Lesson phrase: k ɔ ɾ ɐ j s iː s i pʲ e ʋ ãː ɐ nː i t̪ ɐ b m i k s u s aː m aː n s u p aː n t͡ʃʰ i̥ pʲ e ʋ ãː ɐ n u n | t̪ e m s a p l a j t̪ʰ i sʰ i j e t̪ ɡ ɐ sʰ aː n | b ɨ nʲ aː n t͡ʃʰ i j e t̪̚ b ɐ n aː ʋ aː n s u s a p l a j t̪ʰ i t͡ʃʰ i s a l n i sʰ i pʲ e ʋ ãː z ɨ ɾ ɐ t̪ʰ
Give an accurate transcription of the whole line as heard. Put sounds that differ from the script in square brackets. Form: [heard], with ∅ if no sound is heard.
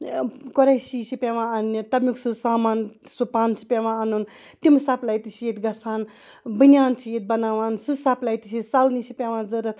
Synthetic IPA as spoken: k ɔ ɾ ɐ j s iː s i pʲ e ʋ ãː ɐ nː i t̪ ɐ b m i k s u s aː m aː n s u p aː n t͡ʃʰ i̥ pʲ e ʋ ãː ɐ n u n | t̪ [i] m s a p l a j [t̪] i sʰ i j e t̪ ɡ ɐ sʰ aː n | b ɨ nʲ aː n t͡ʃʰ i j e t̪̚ b ɐ n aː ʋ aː n s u s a p l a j [t̪] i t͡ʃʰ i s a l n i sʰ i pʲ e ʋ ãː z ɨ ɾ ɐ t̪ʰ